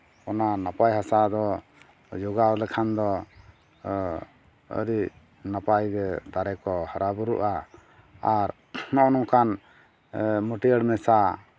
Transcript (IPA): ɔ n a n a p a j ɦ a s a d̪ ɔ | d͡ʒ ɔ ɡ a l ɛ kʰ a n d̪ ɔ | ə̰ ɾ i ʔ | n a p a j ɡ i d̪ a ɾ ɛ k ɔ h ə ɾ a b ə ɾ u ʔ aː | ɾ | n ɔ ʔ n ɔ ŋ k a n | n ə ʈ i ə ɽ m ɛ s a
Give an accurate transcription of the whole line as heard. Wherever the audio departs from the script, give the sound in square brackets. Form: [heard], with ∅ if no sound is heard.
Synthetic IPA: ɔ n a n a p a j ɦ a s a d̪ ɔ | d͡ʒ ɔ ɡ a l ɛ kʰ a n d̪ ɔ | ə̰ ɾ i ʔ | n a p a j ɡ [ɛ] d̪ a ɾ ɛ k ɔ h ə ɾ a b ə ɾ u ʔ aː | ɾ | n ɔ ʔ n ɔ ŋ k a n | [m] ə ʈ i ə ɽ m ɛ s a